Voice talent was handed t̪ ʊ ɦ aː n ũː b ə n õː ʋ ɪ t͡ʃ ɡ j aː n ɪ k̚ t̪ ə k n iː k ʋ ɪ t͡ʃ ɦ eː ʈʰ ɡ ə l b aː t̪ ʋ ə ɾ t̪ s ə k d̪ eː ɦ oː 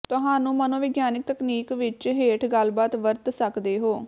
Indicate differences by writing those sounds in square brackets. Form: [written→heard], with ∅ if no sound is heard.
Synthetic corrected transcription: t̪ ʊ ɦ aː n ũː [b→m] ə n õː ʋ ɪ [t͡ʃ→∅] ɡ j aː n ɪ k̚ t̪ ə k n iː k ʋ ɪ t͡ʃ ɦ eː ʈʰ ɡ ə l b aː t̪ ʋ ə ɾ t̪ s ə k d̪ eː ɦ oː